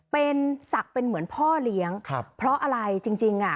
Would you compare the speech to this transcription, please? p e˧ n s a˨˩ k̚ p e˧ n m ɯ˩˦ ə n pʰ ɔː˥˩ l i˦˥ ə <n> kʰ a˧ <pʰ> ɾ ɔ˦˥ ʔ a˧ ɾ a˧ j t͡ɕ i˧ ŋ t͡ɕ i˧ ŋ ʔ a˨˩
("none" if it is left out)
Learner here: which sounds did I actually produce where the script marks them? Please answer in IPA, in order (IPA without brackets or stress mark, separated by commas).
ŋ, pʰ